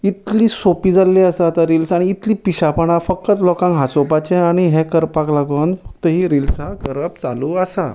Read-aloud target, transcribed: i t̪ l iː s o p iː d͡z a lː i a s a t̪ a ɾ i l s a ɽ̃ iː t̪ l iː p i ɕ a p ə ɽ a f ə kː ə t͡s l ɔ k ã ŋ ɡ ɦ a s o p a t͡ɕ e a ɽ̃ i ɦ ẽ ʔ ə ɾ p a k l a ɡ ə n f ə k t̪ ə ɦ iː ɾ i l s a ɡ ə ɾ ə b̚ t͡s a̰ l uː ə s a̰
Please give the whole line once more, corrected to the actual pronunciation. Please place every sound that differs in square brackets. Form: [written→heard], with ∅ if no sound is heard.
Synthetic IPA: i t̪ l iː s o p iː d͡z a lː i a s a t̪ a ɾ i l s a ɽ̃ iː t̪ l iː p i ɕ a p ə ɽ a f ə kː ə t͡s l ɔ k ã ŋ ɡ ɦ a s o p a t͡ɕ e a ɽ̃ i ɦ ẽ [ʔ→k] ə ɾ p a k l a ɡ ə n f ə k t̪ ə ɦ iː ɾ i l s a ɡ ə ɾ ə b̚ t͡s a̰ l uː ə s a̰